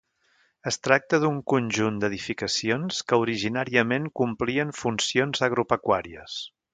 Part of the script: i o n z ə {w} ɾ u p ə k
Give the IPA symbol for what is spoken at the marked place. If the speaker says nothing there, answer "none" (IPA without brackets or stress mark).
ɣ